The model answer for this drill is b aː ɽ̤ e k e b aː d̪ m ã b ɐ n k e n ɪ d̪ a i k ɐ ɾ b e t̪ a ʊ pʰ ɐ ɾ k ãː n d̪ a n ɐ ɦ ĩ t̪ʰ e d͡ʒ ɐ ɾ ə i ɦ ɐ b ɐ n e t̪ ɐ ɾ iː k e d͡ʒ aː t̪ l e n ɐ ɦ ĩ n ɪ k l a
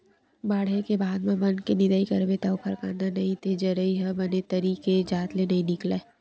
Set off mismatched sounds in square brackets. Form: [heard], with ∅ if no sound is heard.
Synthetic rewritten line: b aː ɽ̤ e k e b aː d̪ m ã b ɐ n k e n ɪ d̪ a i k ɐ ɾ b e t̪ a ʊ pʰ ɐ ɾ k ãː n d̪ a n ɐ ɦ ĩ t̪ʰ e d͡ʒ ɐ ɾ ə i ɦ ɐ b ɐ n e t̪ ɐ ɾ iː k e d͡ʒ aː t̪ l e n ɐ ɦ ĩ n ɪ k l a